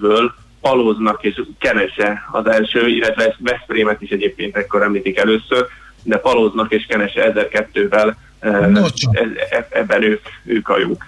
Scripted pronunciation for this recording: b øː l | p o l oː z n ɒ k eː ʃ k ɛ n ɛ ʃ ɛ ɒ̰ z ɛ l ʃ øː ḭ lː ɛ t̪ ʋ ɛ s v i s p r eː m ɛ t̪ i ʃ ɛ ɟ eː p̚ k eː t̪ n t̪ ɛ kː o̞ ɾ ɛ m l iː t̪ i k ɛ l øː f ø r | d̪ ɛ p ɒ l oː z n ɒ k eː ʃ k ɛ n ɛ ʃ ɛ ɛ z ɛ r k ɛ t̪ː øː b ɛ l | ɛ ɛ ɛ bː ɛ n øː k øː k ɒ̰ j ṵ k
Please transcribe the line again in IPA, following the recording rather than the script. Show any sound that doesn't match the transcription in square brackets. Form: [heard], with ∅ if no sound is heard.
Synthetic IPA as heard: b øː l | p [ɒ] l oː z n ɒ k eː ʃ k ɛ n ɛ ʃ ɛ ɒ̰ z ɛ l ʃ øː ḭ lː ɛ t̪ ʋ ɛ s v [ɛ] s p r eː m ɛ t̪ i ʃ ɛ ɟ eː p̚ k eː [∅] n t̪ ɛ kː o̞ ɾ ɛ m l iː t̪ i k ɛ l øː [s] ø r | d̪ ɛ p ɒ l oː z n ɒ k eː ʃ k ɛ n ɛ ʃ ɛ ɛ z ɛ r k ɛ t̪ː øː [v] ɛ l | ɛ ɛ ɛ bː ɛ n øː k øː k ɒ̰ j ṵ k